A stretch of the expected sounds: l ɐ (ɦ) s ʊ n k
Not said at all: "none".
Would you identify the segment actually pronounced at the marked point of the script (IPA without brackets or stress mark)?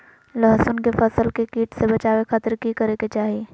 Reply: ɦ